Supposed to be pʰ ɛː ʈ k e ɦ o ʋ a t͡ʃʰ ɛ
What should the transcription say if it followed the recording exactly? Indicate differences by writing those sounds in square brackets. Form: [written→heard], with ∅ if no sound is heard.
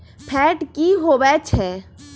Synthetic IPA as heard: pʰ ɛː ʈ k [e→i] ɦ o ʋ [a→ɛ] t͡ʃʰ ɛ